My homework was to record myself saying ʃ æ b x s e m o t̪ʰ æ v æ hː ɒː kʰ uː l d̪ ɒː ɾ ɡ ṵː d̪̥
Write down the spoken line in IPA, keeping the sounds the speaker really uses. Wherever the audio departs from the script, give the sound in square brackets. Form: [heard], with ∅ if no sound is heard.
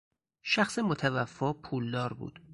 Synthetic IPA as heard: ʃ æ [∅] x s e m o t̪ʰ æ v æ [fː] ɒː [pʰ] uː l d̪ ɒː ɾ [b] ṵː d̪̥